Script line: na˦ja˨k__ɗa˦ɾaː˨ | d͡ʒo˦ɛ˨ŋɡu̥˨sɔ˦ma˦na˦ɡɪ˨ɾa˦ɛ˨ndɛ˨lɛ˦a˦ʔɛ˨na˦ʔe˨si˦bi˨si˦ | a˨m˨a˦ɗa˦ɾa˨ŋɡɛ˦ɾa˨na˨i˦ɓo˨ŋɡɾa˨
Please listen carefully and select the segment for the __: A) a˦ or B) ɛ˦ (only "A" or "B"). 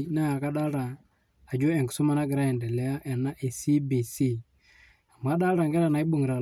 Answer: A